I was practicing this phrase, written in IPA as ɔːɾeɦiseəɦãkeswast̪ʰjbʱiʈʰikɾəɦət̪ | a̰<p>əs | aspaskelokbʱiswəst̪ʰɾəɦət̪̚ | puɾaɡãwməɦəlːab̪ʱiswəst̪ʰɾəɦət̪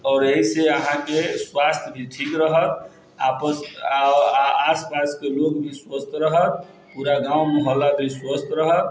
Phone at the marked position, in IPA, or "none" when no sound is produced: p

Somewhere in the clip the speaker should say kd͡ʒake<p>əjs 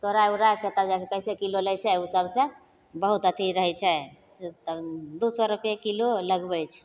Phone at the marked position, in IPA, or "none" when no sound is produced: k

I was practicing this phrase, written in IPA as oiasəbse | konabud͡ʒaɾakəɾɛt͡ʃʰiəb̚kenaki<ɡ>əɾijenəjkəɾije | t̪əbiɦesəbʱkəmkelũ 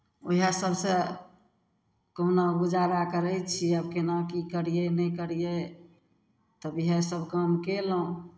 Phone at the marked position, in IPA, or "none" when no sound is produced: k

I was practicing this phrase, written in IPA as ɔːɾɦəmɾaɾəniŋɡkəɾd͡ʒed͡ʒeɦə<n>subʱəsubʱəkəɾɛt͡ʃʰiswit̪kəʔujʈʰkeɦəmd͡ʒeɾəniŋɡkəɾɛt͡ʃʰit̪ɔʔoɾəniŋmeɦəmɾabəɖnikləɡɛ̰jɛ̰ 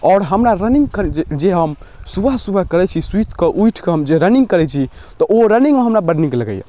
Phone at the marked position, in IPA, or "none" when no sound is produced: m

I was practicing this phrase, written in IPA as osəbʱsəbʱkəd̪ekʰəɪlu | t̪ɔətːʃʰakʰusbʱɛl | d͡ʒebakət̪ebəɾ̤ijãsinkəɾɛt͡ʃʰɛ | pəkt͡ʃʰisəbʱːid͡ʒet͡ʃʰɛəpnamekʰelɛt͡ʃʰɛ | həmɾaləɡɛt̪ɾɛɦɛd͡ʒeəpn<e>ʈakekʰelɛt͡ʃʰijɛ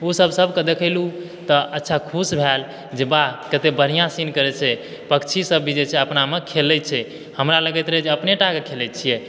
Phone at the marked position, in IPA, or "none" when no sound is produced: e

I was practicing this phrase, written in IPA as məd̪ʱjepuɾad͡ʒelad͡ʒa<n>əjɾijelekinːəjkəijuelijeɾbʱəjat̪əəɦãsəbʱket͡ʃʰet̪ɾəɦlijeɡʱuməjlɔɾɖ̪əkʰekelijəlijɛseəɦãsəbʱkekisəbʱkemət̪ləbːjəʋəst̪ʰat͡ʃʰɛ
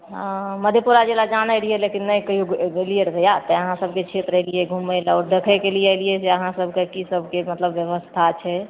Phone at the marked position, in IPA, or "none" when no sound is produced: n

